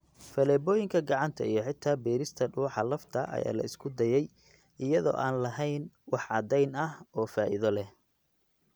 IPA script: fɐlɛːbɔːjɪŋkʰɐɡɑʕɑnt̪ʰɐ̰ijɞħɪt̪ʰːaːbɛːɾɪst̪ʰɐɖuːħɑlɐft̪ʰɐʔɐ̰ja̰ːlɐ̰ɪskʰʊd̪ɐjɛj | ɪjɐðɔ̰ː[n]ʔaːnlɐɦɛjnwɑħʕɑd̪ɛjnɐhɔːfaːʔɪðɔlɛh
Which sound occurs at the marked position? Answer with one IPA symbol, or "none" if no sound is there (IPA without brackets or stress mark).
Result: none